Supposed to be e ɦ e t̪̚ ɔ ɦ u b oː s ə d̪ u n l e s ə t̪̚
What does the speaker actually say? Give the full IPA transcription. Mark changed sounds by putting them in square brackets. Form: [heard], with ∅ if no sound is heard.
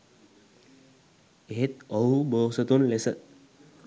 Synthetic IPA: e ɦ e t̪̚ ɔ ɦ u b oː s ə [t̪] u n l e s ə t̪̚